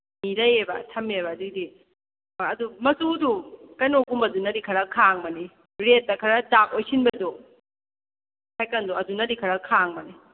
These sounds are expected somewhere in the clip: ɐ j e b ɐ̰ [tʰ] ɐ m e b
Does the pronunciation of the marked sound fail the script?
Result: no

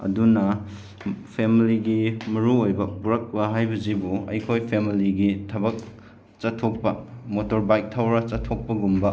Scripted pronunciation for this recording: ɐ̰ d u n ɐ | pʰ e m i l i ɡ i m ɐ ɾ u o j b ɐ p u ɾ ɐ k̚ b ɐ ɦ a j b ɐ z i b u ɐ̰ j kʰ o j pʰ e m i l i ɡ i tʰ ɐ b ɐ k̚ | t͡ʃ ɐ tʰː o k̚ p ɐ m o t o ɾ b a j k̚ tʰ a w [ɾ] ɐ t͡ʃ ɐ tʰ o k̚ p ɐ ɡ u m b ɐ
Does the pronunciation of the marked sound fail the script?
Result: no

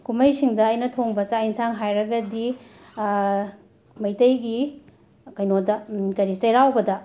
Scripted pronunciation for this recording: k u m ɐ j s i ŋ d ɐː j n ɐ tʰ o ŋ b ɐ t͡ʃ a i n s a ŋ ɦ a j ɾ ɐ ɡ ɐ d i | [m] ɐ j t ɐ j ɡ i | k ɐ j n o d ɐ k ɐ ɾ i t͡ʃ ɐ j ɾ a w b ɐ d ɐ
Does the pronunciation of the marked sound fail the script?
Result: no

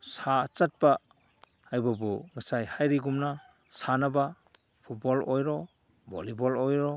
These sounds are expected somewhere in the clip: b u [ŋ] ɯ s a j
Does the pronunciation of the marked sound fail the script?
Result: no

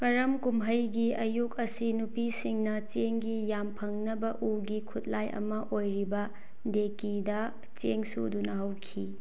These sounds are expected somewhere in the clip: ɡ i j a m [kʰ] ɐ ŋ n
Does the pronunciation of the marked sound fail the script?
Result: yes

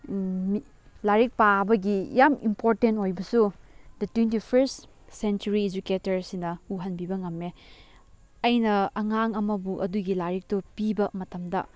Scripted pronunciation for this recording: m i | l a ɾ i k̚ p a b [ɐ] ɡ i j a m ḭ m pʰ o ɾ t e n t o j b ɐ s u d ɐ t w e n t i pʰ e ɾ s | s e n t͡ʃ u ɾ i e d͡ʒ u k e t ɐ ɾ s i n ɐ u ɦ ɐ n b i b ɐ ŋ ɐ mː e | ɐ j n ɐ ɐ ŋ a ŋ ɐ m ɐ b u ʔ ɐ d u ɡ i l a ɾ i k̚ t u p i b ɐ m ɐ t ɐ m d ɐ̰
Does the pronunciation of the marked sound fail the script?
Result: no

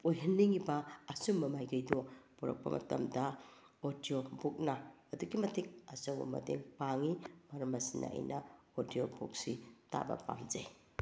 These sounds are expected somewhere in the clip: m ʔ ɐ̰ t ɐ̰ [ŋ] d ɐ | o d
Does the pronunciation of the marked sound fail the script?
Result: yes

